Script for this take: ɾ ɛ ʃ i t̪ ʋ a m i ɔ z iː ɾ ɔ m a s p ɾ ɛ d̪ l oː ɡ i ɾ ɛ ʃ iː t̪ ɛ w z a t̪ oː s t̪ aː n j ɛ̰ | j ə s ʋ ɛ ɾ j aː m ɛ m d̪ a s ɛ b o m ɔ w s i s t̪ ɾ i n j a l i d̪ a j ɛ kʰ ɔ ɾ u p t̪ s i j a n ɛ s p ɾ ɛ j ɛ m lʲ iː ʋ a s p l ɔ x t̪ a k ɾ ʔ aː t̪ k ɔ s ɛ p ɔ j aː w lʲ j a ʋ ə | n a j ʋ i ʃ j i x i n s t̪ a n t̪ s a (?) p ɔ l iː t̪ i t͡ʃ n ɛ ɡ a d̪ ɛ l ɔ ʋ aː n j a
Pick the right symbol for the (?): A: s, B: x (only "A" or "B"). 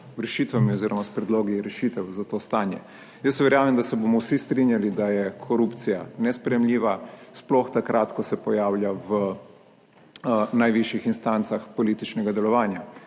B